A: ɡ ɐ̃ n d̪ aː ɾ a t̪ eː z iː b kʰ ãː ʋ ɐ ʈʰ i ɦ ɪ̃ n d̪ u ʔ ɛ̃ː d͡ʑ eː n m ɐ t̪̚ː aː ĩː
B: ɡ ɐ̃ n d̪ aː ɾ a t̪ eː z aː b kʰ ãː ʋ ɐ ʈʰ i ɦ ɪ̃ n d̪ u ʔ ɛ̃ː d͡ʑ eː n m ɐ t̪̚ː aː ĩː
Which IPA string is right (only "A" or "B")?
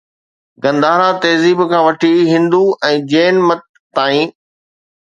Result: A